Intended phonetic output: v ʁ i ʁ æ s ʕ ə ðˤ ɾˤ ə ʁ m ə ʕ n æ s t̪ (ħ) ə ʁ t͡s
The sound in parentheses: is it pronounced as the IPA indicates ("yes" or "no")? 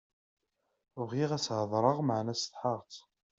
yes